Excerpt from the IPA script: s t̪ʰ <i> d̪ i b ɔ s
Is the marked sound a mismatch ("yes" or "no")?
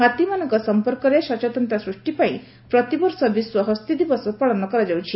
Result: no